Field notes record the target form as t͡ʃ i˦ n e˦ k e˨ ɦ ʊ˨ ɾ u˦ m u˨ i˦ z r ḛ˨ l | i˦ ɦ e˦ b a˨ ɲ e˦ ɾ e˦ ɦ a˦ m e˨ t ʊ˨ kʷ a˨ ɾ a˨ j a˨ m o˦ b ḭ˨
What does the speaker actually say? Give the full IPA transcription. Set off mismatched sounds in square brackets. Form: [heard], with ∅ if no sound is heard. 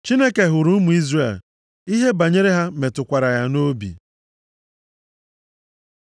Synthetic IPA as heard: t͡ʃ i˦ n e˦ k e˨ ɦ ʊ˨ ɾ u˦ m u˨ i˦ z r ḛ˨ l | i˦ ɦ e˦ b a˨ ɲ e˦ ɾ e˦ ɦ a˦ m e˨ t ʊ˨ kʷ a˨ ɾ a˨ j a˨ [n] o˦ b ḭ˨